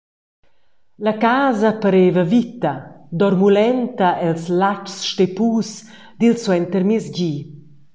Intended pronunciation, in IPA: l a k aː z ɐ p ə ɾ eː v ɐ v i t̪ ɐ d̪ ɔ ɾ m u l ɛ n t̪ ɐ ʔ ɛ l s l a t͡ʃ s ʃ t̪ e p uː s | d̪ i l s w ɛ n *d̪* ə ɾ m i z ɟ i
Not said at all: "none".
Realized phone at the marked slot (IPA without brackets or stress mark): t̪